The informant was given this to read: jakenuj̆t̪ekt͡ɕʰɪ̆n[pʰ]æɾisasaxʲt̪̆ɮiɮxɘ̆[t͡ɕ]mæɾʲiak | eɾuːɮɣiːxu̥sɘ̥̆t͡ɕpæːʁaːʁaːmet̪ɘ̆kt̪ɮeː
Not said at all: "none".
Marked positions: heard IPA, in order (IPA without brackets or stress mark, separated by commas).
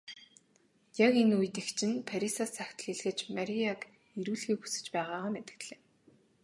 pʰ, t͡ɕ